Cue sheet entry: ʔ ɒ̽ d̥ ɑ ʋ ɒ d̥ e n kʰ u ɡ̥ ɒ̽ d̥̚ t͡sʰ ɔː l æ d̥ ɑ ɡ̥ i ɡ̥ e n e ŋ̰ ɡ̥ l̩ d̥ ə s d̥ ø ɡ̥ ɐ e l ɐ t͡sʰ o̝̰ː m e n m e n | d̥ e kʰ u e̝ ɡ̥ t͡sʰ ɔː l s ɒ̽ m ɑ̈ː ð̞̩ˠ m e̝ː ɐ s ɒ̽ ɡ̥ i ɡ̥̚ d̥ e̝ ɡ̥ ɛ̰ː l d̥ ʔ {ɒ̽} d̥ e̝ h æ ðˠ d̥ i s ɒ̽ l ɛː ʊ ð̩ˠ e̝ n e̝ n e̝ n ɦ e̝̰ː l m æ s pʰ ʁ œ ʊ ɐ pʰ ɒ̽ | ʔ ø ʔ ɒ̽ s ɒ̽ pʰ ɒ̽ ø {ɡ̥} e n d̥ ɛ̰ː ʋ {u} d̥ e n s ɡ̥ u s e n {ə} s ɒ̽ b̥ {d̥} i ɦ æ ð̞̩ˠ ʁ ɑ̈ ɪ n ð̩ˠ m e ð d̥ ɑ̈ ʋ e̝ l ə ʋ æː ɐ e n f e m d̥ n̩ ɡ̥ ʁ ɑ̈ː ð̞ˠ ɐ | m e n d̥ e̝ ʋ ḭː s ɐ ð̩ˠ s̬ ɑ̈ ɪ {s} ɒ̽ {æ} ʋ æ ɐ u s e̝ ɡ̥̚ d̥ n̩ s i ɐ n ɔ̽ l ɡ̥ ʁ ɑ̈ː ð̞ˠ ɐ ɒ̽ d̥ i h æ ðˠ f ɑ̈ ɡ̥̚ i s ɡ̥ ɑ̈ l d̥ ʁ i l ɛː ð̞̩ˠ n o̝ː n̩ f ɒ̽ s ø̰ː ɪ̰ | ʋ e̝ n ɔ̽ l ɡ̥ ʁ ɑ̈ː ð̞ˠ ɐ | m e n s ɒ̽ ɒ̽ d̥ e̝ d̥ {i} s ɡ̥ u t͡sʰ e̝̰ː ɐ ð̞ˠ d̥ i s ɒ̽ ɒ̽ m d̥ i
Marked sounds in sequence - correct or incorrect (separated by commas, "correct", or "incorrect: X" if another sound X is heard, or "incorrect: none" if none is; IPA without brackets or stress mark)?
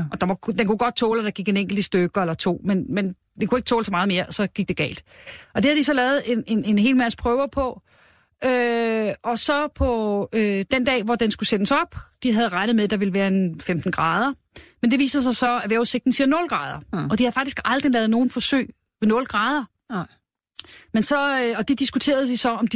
correct, incorrect: d̥, incorrect: ɒ, correct, correct, correct, correct, correct